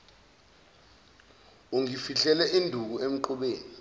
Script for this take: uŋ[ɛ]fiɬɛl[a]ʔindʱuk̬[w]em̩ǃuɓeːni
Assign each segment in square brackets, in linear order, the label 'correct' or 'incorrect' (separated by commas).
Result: incorrect, incorrect, incorrect